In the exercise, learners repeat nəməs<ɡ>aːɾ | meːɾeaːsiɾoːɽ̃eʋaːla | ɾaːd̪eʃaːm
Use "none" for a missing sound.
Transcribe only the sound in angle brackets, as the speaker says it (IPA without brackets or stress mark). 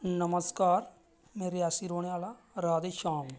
k